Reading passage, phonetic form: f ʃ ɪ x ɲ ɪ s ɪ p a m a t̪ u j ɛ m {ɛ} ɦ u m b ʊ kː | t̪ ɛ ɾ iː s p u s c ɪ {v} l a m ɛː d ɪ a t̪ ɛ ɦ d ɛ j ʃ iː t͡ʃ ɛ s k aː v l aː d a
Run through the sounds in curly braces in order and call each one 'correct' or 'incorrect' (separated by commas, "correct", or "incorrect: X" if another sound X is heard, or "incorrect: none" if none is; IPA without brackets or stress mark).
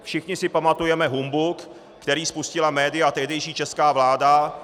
correct, incorrect: none